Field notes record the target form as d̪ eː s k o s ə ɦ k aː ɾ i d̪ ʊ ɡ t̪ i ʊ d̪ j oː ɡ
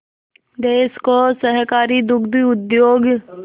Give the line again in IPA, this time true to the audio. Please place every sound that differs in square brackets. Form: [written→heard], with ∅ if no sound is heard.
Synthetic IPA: d̪ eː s k o s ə ɦ k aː ɾ i d̪ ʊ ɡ [t̪→d̪] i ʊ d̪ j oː ɡ